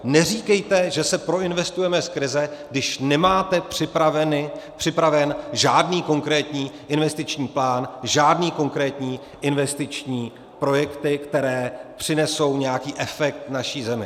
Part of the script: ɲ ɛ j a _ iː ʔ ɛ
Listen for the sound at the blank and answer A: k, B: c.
A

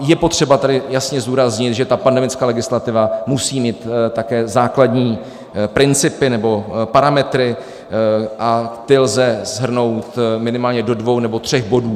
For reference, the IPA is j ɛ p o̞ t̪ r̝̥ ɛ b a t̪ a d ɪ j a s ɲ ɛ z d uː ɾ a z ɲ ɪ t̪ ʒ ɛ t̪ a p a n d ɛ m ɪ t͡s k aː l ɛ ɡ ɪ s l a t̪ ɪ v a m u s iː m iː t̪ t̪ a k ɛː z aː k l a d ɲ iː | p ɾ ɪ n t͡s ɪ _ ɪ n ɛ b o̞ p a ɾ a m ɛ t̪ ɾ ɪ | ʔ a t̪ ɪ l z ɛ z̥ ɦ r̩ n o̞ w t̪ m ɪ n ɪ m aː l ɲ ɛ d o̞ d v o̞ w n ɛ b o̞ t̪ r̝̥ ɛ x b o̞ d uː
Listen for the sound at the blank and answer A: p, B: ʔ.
A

